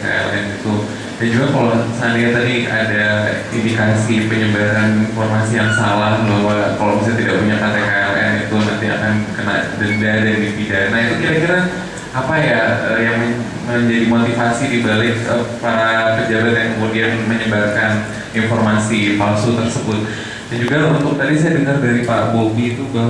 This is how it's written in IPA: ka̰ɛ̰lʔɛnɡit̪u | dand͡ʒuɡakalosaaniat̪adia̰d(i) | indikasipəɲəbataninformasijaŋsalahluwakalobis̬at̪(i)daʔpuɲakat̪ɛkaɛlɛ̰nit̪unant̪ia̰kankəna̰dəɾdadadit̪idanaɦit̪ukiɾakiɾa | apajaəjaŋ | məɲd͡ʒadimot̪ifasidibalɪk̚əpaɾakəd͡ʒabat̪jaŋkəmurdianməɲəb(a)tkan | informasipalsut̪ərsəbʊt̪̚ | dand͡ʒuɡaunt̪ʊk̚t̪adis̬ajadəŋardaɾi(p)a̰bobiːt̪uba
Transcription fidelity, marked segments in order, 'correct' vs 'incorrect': incorrect: a, correct, correct, correct

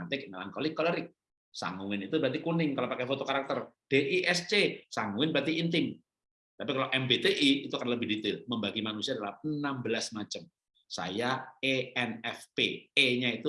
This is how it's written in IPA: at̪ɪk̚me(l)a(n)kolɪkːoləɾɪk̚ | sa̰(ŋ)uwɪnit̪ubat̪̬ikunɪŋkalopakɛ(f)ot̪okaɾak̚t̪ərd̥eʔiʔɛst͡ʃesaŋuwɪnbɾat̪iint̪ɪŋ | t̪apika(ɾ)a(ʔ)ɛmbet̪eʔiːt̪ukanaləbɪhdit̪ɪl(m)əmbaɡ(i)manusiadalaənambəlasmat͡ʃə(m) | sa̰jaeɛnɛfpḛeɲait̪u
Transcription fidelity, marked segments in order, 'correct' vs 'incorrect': correct, incorrect: ŋ, correct, correct, incorrect: l, correct, correct, correct, correct

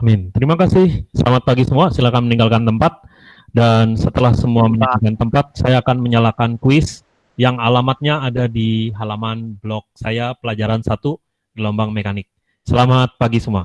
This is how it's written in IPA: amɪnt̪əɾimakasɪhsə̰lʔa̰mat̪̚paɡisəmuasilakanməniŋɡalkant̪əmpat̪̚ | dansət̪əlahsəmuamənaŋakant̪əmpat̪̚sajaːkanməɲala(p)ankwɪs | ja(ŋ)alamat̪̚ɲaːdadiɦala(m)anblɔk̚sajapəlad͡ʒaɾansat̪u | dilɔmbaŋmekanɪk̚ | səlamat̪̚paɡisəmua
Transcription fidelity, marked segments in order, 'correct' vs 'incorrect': incorrect: k, correct, correct

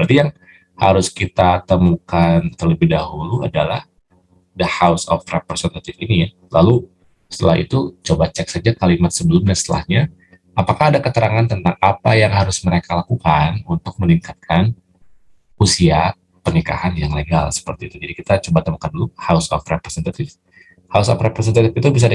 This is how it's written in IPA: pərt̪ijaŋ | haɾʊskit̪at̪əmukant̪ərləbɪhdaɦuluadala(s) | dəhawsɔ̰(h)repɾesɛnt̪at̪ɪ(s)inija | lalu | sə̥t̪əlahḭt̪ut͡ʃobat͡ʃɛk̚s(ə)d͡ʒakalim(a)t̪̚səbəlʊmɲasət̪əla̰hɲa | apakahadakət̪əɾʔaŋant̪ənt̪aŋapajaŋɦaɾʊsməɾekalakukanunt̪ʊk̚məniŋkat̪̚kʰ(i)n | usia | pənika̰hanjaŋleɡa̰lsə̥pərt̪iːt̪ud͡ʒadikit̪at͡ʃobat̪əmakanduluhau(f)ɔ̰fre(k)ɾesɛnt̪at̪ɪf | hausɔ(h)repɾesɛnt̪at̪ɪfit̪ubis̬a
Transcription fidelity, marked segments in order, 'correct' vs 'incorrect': incorrect: h, incorrect: f, incorrect: f, incorrect: a, correct, incorrect: a, incorrect: s, incorrect: p, incorrect: f

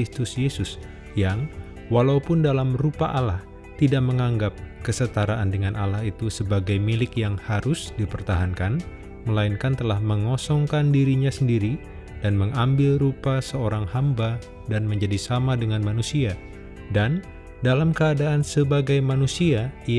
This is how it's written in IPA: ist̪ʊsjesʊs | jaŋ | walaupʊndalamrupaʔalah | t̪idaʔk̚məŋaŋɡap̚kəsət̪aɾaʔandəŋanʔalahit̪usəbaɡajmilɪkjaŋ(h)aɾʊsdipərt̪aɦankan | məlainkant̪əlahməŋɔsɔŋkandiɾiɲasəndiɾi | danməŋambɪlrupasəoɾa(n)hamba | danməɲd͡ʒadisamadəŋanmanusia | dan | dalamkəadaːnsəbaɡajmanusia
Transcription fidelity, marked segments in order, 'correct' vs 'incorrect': correct, incorrect: ŋ

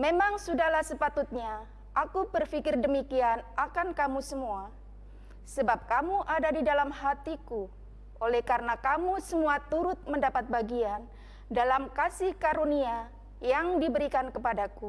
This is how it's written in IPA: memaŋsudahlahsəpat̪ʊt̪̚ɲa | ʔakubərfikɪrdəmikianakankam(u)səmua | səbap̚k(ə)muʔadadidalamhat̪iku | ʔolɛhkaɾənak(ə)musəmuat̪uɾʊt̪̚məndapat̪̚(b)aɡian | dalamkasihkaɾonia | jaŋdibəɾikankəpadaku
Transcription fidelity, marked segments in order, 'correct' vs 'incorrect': correct, incorrect: a, incorrect: a, correct

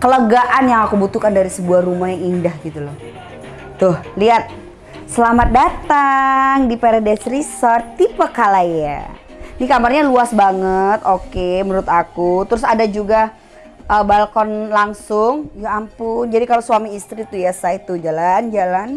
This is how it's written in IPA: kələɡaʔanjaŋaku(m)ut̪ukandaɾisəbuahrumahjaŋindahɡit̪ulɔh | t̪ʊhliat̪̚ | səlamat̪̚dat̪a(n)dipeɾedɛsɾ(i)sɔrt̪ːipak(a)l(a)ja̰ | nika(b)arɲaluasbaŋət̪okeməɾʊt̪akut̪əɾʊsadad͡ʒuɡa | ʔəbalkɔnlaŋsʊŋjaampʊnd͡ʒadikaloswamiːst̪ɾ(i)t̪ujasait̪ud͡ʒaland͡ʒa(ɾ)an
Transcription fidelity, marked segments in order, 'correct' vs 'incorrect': incorrect: b, incorrect: ŋ, correct, correct, correct, incorrect: m, correct, incorrect: l

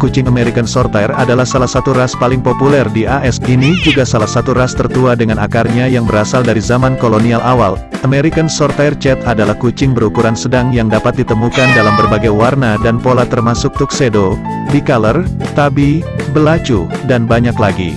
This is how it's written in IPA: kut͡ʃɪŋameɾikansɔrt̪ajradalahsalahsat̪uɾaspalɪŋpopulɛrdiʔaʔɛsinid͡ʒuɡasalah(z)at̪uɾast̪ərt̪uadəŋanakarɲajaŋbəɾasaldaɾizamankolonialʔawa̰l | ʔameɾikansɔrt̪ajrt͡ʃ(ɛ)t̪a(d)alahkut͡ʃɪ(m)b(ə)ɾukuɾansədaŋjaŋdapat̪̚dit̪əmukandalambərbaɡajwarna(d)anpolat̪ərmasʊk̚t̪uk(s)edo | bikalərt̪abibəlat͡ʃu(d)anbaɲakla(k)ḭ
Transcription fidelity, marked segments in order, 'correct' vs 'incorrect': incorrect: s, correct, correct, incorrect: ŋ, correct, correct, correct, correct, incorrect: ɡ

